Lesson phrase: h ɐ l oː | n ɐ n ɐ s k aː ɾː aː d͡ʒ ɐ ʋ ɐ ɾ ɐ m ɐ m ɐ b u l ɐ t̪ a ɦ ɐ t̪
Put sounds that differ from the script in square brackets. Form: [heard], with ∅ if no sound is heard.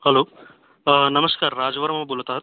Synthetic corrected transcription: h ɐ l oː | n ɐ [m] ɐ s k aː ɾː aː d͡ʒ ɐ ʋ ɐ ɾ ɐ m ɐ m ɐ b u l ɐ t̪ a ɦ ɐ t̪